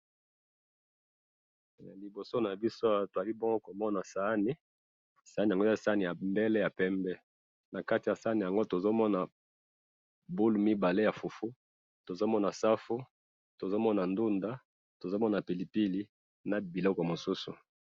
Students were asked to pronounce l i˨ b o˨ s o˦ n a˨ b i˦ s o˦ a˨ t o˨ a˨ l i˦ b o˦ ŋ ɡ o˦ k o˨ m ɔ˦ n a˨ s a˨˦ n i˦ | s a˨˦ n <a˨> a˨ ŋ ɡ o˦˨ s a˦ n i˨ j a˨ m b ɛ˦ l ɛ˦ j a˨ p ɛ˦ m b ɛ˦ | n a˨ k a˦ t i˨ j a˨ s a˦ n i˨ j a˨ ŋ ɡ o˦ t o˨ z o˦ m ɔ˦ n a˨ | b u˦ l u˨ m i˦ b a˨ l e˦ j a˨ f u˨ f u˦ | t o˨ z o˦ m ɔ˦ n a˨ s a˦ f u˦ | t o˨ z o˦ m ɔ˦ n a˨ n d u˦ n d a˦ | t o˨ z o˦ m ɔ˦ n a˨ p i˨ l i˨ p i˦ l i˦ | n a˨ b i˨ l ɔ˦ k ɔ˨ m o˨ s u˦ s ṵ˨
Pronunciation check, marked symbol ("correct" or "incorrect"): incorrect